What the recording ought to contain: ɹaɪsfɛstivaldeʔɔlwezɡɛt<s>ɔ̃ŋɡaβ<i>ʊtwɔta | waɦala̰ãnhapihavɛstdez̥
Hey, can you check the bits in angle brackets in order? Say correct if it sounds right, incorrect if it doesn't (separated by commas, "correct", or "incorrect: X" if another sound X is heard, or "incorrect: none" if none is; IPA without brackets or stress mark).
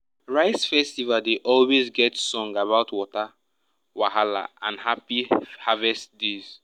correct, incorrect: a